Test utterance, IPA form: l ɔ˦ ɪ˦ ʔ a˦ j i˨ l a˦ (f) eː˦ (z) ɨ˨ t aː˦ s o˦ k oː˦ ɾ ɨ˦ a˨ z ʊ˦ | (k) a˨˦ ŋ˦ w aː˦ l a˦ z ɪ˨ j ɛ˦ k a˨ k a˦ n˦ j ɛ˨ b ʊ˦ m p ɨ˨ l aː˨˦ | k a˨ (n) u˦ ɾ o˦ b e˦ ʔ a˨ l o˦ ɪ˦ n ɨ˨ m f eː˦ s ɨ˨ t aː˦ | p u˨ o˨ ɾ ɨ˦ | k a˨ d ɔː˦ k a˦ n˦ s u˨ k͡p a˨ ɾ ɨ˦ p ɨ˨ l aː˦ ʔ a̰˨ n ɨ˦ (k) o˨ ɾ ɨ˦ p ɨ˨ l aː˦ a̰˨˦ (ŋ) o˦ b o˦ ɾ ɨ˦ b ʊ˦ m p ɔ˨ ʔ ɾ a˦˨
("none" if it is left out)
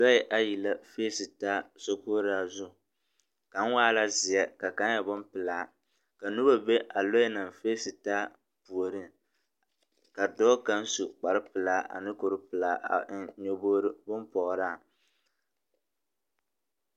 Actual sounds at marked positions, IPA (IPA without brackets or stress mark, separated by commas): f, s, k, n, k, ɲ